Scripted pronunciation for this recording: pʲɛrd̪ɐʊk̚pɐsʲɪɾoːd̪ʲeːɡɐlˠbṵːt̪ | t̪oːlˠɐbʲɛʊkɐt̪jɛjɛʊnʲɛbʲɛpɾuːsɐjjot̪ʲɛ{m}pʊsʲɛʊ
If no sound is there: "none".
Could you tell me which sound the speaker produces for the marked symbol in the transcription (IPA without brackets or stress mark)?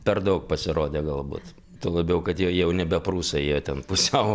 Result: n